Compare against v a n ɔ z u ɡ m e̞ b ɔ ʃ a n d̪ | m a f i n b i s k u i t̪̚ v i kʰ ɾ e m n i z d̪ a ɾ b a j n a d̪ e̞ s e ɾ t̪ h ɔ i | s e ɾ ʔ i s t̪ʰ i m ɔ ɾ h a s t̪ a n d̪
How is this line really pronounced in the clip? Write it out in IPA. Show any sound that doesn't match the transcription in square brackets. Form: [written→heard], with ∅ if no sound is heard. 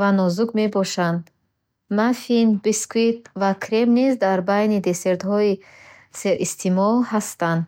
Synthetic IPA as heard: v a n ɔ z u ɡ m e̞ b ɔ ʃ a n d̪ | m a f i n b i s k u i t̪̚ v [i→a] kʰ ɾ e m n i z d̪ a ɾ b a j n [a→i] d̪ e̞ s e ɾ t̪ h ɔ i | s e ɾ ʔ i s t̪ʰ i m ɔ [ɾ→l] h a s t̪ a n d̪